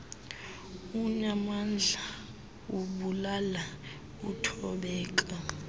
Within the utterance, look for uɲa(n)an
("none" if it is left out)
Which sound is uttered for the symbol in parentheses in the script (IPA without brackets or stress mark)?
m